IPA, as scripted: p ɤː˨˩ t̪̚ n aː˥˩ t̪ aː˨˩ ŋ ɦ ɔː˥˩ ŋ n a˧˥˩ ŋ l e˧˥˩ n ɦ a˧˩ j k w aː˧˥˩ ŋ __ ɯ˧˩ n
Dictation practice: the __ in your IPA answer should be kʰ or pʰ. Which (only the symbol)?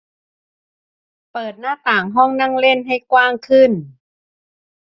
kʰ